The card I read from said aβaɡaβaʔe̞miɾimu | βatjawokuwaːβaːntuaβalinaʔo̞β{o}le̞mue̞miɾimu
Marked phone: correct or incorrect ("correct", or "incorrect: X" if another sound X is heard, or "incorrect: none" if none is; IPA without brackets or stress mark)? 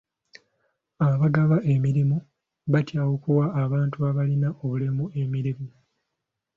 incorrect: u